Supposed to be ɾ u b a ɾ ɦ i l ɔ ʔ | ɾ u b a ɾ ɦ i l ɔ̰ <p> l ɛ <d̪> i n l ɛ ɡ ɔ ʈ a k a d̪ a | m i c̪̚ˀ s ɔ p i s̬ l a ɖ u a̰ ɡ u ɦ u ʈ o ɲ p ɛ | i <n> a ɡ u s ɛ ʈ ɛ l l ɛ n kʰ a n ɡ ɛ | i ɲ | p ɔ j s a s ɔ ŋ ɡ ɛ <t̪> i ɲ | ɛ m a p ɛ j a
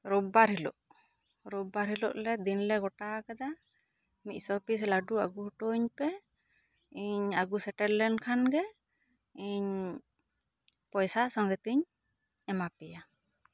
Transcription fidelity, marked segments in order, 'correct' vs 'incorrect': incorrect: ʔ, correct, incorrect: ɲ, correct

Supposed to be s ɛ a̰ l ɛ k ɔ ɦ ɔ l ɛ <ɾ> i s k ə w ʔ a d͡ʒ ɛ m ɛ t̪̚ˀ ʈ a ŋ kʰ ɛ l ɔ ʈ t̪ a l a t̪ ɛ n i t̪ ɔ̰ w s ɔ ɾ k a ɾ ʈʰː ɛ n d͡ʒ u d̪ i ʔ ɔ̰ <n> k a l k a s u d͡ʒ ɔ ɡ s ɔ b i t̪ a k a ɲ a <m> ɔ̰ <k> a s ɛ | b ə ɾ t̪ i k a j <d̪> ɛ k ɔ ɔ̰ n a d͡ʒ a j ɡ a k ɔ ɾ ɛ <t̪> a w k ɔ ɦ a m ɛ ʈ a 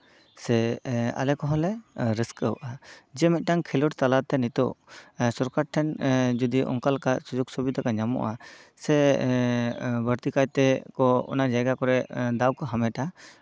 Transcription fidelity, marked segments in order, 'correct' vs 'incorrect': correct, incorrect: ŋ, correct, incorrect: ʔ, incorrect: t̪, incorrect: d̪

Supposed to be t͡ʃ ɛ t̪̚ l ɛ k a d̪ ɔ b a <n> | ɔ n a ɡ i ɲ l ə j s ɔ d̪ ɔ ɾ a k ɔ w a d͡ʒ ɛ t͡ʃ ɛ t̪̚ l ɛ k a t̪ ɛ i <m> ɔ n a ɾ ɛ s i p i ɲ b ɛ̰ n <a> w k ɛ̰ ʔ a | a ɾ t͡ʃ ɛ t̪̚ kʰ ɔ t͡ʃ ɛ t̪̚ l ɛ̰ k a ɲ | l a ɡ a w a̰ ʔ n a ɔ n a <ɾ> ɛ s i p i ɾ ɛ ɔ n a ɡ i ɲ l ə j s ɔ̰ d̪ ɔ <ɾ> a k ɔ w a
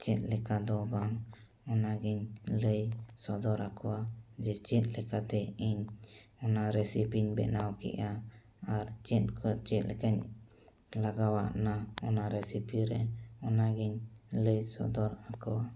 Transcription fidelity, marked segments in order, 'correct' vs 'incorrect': incorrect: ŋ, incorrect: ɲ, correct, correct, correct

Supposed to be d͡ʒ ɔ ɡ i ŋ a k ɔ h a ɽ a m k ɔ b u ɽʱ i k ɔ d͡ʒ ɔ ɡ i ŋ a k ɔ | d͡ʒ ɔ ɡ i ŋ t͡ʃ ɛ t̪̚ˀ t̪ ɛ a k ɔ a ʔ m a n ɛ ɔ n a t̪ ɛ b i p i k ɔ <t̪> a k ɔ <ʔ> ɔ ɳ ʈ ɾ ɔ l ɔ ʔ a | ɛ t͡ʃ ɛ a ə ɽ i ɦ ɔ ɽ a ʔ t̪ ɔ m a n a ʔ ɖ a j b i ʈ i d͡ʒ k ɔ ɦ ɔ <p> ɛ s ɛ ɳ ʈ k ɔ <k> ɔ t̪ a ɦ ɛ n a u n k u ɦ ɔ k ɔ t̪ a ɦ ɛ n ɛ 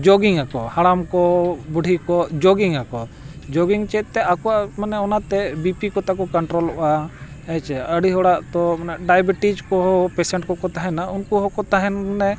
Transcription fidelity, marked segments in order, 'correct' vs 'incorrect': correct, incorrect: k, correct, correct

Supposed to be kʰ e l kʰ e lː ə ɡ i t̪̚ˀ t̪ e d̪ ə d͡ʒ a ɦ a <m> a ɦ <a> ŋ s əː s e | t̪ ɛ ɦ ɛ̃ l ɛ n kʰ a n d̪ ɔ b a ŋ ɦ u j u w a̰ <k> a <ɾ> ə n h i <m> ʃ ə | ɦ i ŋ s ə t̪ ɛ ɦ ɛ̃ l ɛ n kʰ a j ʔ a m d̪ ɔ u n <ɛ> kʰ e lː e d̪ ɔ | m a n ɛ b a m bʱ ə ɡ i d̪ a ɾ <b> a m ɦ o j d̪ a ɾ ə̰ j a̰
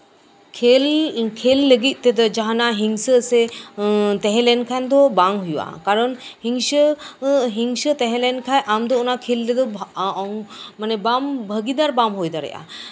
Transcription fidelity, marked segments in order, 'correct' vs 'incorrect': incorrect: n, incorrect: i, correct, correct, incorrect: ŋ, incorrect: a, correct

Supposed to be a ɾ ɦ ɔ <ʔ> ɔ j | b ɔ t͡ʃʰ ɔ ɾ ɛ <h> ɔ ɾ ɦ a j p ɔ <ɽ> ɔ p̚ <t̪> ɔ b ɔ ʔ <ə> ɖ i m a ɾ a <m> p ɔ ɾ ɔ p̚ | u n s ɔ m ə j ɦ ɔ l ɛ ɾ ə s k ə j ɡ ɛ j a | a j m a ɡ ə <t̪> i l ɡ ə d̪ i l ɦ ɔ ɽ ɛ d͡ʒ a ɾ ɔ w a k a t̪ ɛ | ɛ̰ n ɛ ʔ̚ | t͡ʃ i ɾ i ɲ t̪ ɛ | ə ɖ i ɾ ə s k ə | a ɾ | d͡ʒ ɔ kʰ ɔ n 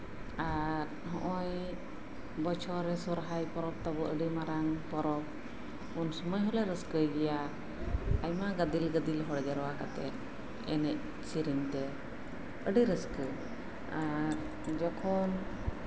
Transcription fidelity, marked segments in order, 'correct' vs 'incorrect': correct, incorrect: s, incorrect: ɾ, correct, correct, incorrect: ŋ, incorrect: d̪

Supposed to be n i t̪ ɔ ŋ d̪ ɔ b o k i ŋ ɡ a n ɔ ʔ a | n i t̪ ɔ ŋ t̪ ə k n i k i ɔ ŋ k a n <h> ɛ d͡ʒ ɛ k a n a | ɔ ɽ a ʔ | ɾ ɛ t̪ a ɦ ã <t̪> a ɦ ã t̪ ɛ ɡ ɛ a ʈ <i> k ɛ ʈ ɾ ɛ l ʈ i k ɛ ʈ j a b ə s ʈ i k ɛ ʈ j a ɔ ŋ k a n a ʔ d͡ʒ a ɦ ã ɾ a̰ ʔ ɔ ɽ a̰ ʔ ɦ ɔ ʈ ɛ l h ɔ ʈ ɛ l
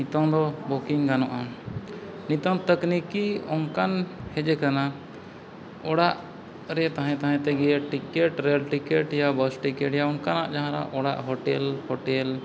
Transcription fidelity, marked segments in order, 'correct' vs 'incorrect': correct, correct, correct

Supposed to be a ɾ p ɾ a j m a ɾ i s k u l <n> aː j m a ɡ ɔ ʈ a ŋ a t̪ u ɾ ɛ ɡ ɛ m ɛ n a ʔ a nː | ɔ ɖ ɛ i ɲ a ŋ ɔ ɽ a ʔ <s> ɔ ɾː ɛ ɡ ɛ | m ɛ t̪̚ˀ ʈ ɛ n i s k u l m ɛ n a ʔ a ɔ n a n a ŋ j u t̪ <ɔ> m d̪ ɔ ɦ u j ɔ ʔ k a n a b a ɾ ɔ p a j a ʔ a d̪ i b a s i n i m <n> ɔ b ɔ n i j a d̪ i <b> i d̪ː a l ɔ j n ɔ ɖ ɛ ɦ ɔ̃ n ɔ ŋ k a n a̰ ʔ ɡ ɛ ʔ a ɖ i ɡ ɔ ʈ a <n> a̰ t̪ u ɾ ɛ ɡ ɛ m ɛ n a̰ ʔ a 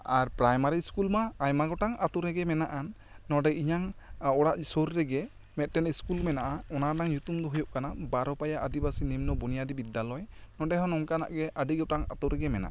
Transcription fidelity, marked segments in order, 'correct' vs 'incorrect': incorrect: m, correct, incorrect: u, correct, correct, incorrect: ŋ

